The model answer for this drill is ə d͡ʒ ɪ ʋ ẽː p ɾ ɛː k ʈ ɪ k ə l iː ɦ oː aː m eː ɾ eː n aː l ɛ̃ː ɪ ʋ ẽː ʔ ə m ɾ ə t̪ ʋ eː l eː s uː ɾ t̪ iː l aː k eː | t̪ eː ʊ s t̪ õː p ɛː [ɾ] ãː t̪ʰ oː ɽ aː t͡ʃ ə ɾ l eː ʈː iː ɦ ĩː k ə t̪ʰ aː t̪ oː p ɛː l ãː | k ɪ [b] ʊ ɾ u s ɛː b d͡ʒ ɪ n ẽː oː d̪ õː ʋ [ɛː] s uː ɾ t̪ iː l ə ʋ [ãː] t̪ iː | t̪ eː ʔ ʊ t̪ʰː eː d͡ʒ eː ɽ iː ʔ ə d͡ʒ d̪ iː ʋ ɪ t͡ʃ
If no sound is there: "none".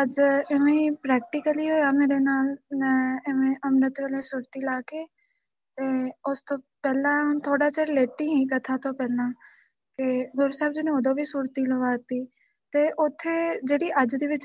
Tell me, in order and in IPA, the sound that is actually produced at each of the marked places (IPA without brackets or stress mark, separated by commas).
l, ɡ, iː, aː